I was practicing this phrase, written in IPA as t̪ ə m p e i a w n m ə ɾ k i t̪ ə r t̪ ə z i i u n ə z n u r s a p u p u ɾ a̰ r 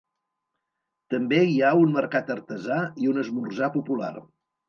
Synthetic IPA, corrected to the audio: t̪ ə m b e i a u n m ə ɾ k a t̪ ə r t̪ ə z a i u n ə z m u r z a p u p u l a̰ r